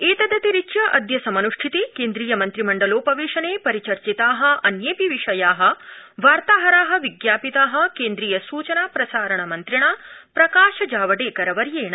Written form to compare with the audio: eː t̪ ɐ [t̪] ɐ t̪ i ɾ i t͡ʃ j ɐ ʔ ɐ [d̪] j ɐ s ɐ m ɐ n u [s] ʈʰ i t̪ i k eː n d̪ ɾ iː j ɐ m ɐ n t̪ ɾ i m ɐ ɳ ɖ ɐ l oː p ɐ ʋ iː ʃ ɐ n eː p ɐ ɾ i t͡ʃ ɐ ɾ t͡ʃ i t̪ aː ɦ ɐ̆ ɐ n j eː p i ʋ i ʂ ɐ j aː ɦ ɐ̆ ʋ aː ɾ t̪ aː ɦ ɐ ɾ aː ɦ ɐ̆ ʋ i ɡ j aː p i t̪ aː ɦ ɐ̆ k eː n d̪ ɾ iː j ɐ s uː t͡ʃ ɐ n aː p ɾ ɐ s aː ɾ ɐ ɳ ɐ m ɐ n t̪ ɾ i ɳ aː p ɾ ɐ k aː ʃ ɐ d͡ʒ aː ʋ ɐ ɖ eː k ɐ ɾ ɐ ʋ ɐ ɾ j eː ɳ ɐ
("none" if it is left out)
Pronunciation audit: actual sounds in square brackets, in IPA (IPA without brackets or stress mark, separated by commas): d̪, d̪, ʂ